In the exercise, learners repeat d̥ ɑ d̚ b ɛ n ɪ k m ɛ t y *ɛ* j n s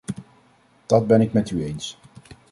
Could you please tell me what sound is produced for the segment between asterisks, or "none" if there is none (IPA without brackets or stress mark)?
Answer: e